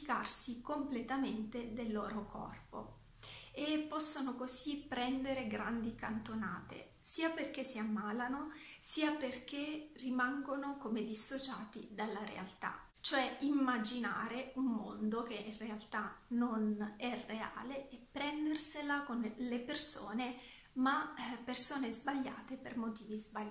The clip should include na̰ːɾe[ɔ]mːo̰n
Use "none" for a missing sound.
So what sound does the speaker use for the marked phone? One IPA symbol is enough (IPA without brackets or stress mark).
u